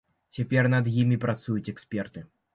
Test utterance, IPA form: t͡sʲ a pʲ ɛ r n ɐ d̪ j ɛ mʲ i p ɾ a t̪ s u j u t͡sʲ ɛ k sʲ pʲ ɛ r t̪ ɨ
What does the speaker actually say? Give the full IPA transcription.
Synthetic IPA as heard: t͡sʲ a pʲ ɛ r n ɐ d̪ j i mʲ i p ɾ a t̪ s u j u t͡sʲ ɛ k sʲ pʲ ɛ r t̪ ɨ